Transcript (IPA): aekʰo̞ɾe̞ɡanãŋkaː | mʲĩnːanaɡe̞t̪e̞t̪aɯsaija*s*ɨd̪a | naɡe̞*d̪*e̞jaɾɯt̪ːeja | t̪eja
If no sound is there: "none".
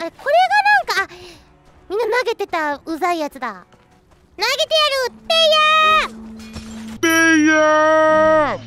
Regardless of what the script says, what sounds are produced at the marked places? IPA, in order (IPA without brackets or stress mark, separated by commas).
t͡s, t̪